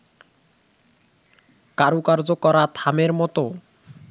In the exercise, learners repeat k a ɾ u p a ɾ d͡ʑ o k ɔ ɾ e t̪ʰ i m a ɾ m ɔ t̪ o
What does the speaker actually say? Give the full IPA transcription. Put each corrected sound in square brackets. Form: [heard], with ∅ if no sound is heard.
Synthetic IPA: k a ɾ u [k] a ɾ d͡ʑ o k ɔ ɾ [a] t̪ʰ [a] m [e] ɾ m ɔ t̪ o